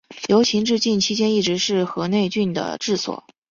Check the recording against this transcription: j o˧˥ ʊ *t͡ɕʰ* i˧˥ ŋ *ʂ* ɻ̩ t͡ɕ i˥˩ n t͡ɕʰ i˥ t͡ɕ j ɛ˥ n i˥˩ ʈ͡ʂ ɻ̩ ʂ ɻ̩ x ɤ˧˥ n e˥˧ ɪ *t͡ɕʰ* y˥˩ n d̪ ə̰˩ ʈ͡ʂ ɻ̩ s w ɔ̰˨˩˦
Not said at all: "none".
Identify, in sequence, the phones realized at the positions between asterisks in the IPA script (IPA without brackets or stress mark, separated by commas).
t͡ɕʰ, ʈ͡ʂ, t͡ɕ